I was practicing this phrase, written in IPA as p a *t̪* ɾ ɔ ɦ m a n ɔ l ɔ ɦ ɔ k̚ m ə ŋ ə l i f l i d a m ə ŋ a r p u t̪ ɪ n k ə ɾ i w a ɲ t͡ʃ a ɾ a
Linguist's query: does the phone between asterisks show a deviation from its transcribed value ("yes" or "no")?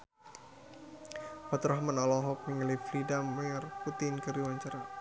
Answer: no